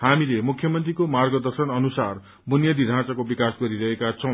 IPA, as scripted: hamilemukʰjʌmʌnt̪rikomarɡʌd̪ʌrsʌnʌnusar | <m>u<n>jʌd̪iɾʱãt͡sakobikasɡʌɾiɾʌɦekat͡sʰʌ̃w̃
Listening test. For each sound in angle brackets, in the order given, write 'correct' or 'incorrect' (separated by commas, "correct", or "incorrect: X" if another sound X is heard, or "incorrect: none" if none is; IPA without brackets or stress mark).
incorrect: b, correct